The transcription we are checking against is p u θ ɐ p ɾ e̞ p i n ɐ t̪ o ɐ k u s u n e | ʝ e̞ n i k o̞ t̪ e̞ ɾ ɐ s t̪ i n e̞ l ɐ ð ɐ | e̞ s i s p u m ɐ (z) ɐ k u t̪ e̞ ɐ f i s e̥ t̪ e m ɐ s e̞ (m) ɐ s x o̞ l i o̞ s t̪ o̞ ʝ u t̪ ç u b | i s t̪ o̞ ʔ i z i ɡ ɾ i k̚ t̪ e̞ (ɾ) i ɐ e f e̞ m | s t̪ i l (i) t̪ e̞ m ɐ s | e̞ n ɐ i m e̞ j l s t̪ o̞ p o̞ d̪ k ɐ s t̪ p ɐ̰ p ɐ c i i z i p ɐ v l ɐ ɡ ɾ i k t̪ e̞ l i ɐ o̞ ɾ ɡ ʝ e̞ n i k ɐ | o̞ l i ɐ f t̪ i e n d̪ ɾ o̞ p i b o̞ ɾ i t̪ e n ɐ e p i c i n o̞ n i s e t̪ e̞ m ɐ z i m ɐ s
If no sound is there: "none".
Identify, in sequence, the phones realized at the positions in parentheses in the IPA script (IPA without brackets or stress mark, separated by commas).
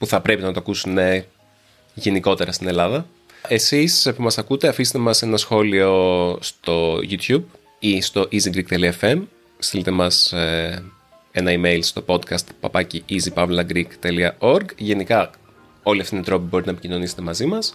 s, n, l, i